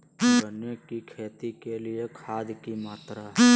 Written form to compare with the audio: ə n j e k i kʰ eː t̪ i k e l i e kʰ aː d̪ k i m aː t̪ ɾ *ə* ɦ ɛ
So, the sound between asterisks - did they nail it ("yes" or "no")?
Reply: no